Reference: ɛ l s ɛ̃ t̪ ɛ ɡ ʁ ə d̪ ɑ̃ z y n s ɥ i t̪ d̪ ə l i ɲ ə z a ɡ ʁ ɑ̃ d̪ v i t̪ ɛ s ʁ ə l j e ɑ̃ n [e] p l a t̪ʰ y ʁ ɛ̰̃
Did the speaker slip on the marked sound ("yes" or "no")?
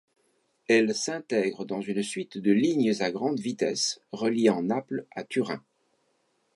yes